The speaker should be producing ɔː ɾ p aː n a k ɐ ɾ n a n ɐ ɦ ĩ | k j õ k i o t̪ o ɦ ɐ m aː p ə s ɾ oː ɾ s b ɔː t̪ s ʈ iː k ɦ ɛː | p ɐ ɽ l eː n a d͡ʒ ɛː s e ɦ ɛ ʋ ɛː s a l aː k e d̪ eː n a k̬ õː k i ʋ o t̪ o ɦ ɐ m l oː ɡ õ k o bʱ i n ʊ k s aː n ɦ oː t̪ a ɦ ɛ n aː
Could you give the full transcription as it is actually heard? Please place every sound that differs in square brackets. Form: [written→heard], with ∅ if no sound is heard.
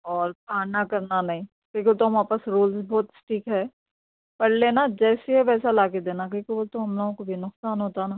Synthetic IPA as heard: ɔː ɾ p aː n a k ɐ ɾ n a n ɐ ɦ ĩ | k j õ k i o t̪ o ɦ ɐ m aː p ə s ɾ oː [ɾ→l] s b ɔː t̪ s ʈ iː k ɦ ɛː | p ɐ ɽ l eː n a d͡ʒ ɛː s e ɦ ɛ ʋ ɛː s a l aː k e d̪ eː n a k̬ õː k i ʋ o t̪ o ɦ ɐ m l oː ɡ õ k o bʱ i n ʊ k s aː n ɦ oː t̪ a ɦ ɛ n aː